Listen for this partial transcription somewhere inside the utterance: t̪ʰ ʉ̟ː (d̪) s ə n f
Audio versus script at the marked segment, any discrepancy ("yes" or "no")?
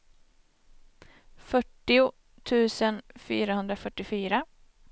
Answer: yes